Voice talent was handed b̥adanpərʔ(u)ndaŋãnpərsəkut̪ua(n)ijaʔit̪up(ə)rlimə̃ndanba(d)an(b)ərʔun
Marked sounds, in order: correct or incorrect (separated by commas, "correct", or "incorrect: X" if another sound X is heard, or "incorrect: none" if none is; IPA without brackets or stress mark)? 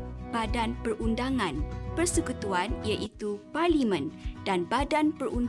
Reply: correct, correct, incorrect: a, correct, incorrect: p